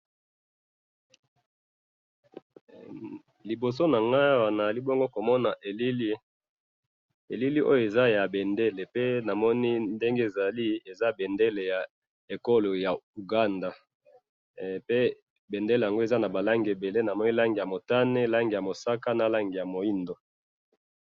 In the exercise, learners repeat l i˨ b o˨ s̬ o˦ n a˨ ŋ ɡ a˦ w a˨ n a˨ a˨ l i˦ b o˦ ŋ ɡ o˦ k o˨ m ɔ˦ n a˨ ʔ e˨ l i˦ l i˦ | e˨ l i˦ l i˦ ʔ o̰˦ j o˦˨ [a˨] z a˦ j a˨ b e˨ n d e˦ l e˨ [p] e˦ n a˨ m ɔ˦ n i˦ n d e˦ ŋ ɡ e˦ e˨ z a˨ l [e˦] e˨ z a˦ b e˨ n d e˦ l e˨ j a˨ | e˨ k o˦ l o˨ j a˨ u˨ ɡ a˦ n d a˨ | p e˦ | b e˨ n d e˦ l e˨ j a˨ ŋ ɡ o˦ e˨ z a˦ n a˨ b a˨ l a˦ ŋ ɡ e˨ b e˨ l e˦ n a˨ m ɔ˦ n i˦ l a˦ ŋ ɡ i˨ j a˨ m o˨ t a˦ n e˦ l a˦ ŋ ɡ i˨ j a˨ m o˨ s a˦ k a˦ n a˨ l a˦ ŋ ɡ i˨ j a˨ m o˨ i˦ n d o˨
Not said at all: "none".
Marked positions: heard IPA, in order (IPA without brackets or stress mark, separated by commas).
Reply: e˨, p, i˦